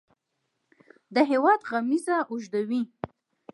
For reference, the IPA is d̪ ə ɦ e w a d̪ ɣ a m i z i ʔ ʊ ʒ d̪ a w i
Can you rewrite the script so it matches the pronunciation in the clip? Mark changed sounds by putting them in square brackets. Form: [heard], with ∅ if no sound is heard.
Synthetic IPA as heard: d̪ ə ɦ e w [ɑ] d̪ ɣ a m i z [a] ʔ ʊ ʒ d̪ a w i